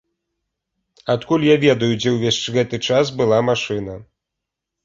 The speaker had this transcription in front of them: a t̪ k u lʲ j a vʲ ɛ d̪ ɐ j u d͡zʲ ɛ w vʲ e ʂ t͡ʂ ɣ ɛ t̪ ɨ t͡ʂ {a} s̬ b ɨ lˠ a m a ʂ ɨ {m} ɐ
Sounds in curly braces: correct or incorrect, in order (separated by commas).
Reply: correct, incorrect